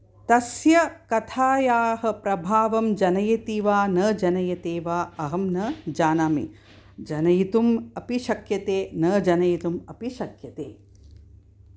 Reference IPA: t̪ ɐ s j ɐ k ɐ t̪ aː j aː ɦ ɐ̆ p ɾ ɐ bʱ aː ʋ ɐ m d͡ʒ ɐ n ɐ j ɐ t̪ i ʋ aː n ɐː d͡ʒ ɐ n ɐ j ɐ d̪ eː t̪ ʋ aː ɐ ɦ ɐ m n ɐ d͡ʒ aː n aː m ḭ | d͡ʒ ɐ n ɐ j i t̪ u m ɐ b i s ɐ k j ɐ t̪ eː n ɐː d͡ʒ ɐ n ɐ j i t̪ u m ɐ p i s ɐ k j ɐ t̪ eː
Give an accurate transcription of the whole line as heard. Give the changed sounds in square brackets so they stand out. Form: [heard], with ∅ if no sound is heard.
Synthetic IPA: t̪ ɐ s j ɐ k ɐ [t̪ʰ] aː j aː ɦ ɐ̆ p ɾ ɐ bʱ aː ʋ ɐ m d͡ʒ ɐ n ɐ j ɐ t̪ i ʋ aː n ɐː d͡ʒ ɐ n ɐ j ɐ [t̪] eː [∅] ʋ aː ɐ ɦ ɐ m n ɐ d͡ʒ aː n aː m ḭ | d͡ʒ ɐ n ɐ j i t̪ u m ɐ [p] i [ʃ] ɐ k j ɐ t̪ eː n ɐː d͡ʒ ɐ n ɐ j i t̪ u m ɐ p i [ʃ] ɐ k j ɐ t̪ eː